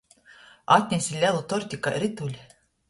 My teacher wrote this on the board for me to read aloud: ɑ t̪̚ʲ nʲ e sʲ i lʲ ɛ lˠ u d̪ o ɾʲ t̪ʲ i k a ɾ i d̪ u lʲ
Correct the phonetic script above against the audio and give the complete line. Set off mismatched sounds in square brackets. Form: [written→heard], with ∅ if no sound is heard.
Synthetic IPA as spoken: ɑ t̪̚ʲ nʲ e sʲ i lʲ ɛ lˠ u [d̪→t̪] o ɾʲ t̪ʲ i k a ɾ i [d̪→t̪] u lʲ